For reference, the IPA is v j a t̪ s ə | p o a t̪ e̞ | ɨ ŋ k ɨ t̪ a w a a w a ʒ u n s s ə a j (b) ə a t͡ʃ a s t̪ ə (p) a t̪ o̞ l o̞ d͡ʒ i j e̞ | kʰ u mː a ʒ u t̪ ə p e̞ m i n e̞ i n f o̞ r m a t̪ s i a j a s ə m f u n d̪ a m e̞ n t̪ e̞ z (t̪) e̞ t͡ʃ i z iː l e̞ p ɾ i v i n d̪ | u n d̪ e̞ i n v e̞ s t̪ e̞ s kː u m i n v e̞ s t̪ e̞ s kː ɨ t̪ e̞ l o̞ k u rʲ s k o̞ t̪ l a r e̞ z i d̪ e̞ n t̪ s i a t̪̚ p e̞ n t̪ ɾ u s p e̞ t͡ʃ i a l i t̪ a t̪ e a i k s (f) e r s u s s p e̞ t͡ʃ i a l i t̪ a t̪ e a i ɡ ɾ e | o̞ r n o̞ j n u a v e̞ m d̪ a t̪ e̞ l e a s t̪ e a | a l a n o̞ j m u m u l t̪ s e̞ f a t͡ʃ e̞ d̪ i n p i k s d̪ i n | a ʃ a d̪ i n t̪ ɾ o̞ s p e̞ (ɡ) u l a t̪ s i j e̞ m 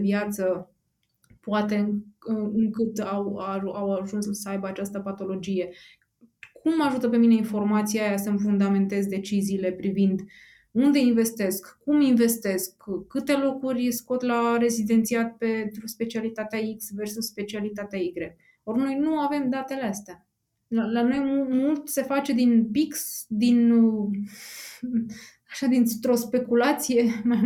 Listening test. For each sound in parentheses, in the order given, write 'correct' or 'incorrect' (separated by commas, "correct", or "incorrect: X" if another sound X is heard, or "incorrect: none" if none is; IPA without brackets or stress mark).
correct, correct, incorrect: d̪, incorrect: v, incorrect: k